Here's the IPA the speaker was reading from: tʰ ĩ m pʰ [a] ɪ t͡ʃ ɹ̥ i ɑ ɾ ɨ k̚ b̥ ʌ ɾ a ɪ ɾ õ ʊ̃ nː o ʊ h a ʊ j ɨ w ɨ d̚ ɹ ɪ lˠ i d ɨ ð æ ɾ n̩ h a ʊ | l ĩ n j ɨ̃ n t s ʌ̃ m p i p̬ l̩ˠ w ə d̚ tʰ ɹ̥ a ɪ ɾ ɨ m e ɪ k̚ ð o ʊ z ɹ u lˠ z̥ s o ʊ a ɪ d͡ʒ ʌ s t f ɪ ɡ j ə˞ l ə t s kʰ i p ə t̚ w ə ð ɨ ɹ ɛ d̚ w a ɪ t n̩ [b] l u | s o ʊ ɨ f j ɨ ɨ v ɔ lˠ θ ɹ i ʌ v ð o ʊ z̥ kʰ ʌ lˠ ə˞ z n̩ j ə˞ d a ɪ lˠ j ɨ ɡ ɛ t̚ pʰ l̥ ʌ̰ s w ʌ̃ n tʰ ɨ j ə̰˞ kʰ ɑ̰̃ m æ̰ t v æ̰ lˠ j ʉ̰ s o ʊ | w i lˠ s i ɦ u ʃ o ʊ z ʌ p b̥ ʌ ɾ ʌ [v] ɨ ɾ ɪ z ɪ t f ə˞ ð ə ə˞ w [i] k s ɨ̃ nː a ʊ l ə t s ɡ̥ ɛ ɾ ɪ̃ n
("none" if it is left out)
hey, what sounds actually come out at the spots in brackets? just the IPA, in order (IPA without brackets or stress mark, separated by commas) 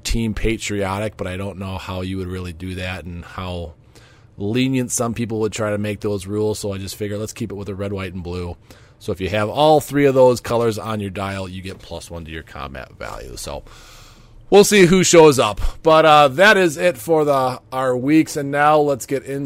e, b, ð, i